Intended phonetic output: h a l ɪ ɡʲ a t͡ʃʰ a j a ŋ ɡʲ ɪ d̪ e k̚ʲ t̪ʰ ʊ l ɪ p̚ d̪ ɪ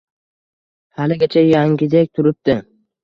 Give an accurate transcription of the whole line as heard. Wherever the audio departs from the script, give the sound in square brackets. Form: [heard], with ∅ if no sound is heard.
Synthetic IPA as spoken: h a l ɪ ɡʲ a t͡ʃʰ a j a ŋ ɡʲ ɪ d̪ e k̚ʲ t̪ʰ ʊ [ɾ] ɪ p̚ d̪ ɪ